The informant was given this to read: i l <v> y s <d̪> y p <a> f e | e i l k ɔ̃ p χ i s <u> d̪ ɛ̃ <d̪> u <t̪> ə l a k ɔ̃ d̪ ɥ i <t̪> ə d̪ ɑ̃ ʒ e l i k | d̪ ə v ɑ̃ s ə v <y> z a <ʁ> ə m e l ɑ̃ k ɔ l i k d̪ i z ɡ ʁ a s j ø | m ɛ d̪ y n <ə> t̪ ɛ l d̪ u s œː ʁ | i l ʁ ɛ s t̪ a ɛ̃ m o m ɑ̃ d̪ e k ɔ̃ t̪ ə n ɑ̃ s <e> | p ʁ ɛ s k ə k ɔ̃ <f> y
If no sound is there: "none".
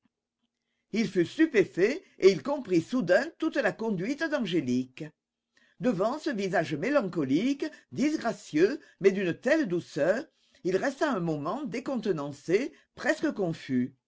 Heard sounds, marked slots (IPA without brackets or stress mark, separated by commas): f, t̪, e, u, t̪, t̪, t̪, i, ʒ, ə, e, f